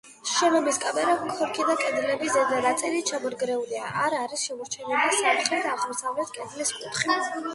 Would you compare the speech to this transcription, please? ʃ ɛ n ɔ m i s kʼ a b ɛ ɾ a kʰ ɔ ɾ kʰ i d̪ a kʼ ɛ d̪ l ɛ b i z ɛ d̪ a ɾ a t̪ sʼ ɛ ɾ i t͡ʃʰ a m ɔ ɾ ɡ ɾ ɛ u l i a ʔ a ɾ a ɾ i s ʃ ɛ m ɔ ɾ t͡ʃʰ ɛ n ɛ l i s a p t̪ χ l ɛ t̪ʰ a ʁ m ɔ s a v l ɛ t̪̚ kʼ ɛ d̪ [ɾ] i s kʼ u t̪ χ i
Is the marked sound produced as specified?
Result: no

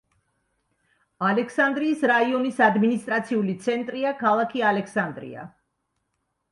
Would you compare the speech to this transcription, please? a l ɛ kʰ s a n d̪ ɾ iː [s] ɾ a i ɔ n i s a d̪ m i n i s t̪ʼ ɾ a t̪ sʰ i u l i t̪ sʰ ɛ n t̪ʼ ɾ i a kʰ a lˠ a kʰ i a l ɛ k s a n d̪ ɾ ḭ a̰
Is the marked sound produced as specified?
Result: yes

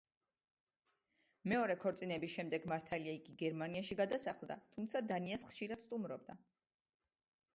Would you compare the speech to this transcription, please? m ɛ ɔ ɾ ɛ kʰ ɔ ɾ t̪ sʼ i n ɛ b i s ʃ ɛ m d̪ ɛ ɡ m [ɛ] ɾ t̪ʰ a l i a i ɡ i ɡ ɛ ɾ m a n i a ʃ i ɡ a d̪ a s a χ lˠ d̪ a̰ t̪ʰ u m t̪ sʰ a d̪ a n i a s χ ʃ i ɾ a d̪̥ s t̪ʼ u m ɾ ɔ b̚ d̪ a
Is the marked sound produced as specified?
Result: no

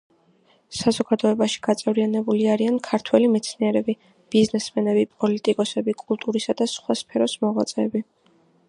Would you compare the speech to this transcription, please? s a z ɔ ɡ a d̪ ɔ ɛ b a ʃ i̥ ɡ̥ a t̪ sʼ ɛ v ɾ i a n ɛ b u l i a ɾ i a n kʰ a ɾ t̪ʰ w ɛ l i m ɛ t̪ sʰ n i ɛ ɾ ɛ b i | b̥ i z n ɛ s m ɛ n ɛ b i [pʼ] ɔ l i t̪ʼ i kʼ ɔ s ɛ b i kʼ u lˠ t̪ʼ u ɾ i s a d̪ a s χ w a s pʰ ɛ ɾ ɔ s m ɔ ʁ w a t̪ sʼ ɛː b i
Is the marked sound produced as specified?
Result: yes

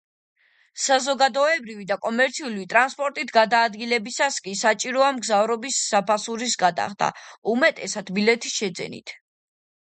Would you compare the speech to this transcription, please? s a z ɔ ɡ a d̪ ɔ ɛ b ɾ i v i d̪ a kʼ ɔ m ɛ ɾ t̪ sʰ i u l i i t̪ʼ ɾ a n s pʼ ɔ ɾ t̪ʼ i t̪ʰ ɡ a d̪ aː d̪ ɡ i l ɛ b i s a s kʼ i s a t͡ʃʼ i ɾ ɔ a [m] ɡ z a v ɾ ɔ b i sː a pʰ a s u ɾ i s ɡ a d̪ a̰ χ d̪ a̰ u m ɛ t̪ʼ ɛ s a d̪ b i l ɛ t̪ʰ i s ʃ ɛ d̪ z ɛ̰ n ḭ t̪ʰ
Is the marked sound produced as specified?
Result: yes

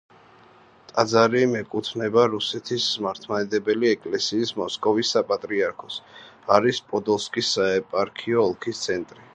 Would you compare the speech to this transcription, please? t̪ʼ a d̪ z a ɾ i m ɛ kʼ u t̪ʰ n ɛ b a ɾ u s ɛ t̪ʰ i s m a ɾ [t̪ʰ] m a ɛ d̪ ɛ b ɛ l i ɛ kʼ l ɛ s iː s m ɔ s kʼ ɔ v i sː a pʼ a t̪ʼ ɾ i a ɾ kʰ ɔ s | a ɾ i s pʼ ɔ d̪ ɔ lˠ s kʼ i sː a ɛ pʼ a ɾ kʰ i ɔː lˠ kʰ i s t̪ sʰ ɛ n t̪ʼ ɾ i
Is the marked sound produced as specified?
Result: yes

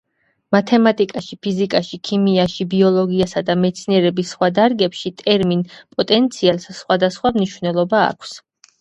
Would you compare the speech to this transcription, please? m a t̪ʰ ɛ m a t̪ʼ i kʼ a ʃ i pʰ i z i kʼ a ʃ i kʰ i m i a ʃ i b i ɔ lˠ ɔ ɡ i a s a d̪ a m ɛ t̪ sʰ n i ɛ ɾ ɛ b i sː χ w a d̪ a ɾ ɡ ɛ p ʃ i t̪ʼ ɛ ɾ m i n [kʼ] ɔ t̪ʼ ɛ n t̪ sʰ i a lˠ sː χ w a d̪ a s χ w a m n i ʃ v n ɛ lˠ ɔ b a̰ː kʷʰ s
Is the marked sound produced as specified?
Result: no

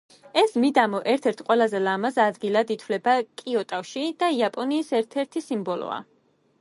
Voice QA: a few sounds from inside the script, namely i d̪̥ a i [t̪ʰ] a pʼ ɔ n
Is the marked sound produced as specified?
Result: no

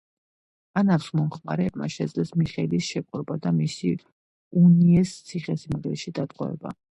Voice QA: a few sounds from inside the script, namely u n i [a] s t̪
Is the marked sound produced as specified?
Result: no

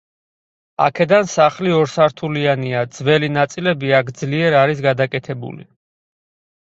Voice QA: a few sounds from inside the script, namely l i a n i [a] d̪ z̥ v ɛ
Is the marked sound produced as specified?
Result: yes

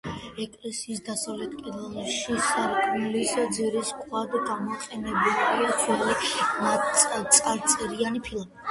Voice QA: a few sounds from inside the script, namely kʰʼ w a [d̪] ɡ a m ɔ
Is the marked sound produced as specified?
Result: yes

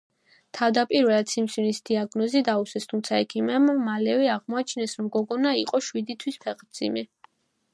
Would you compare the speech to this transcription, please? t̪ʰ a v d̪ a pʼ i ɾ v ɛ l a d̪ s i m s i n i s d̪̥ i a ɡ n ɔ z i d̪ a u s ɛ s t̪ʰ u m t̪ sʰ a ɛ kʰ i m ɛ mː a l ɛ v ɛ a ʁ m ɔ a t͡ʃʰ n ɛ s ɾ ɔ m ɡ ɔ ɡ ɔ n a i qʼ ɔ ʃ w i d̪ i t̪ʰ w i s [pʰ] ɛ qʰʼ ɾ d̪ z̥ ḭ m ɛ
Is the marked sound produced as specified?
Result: yes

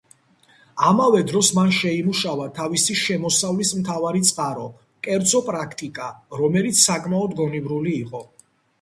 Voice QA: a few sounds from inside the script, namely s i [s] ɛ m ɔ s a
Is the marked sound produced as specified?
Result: no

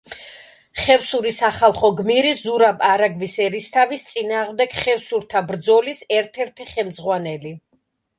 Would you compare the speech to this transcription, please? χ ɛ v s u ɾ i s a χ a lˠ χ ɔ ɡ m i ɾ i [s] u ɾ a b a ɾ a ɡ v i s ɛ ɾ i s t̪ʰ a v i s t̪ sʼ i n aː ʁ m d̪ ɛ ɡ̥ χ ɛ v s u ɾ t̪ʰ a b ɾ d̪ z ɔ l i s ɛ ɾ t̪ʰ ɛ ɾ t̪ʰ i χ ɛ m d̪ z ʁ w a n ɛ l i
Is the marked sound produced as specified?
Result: no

